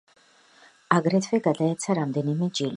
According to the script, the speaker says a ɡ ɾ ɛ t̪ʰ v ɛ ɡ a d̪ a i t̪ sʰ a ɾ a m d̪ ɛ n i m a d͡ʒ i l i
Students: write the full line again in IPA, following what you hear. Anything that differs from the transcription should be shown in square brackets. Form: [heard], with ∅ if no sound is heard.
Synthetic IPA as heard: a ɡ ɾ ɛ t̪ʰ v ɛ ɡ a d̪ a [ɛ] t̪ sʰ a ɾ a m d̪ ɛ n i m [ɛ] d͡ʒ i l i